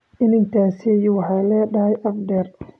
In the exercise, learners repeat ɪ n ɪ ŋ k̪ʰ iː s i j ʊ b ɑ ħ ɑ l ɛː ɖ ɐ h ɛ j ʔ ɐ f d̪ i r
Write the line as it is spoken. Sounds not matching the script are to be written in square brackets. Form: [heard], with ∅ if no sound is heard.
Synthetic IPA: ɪ n ɪ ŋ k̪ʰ [aː] s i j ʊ [w] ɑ ħ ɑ l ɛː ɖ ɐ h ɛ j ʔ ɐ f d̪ [ɛ] r